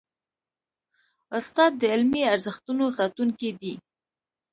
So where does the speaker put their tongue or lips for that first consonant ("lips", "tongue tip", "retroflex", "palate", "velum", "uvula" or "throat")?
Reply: tongue tip